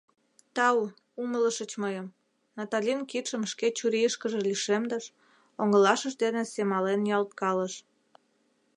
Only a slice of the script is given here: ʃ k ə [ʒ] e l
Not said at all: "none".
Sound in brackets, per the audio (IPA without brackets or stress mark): ʒ